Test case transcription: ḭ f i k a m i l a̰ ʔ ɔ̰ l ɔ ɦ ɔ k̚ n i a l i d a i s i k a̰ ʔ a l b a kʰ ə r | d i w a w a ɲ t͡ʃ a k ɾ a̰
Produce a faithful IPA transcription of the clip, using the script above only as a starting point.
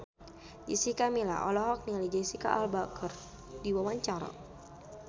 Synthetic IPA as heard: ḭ s i k a m i l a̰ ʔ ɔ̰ l ɔ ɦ ɔ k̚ n i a l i d͡ʒ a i s i k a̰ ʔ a l b a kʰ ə r | d i w a w a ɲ t͡ʃ a ɾ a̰